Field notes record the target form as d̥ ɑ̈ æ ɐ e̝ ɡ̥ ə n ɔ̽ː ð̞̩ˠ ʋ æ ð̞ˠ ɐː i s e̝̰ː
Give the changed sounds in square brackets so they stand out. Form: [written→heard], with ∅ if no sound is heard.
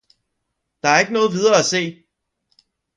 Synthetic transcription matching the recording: d̥ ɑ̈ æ ɐ e̝ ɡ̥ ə n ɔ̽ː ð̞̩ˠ ʋ [æ→i] ð̞ˠ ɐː [i→æ] s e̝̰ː